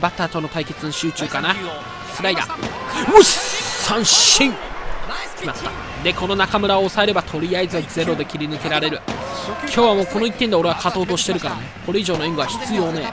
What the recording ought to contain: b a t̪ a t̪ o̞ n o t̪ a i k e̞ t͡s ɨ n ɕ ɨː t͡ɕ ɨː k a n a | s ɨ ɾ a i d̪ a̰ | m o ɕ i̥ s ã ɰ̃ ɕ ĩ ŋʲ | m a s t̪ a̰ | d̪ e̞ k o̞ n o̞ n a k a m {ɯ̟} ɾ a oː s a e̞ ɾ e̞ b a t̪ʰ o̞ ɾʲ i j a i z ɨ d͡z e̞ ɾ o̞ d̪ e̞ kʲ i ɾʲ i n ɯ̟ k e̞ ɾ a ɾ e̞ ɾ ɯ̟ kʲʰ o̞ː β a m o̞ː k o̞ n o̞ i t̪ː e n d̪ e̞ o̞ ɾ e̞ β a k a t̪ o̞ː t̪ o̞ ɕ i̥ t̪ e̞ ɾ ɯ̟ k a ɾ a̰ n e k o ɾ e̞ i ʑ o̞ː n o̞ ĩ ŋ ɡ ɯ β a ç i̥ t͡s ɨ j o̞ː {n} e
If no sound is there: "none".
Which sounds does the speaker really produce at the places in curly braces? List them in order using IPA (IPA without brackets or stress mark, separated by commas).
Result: ɯ̟, n